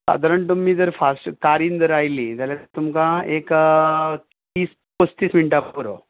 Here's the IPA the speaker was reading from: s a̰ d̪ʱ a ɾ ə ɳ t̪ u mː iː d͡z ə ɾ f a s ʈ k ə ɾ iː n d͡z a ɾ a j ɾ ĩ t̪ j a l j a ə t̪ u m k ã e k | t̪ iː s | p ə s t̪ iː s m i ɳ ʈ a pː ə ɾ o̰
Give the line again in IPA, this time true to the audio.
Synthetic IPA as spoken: s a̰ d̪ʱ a ɾ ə ɳ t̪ u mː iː d͡z ə ɾ f a s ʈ k a ɾ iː n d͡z ə ɾ a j l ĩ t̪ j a l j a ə t̪ u m k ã e k | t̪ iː s | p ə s t̪ iː s m i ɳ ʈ a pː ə ɾ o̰